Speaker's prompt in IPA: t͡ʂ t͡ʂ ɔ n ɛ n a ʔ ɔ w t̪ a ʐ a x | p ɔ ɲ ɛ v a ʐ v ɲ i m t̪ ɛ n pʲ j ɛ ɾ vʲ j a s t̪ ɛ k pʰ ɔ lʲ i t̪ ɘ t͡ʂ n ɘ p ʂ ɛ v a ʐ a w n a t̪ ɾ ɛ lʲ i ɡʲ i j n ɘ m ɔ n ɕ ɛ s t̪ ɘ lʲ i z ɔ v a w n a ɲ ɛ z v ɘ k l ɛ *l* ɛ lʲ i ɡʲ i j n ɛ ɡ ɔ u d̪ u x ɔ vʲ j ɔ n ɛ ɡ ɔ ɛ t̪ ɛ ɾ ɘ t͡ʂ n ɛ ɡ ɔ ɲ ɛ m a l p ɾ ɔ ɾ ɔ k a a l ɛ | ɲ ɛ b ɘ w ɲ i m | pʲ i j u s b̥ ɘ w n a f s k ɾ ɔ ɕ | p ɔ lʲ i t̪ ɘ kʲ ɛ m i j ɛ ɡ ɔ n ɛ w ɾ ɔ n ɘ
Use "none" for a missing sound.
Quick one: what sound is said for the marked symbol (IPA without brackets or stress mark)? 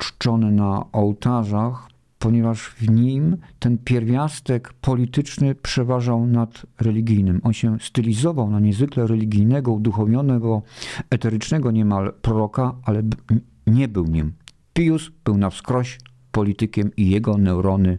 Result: ɾ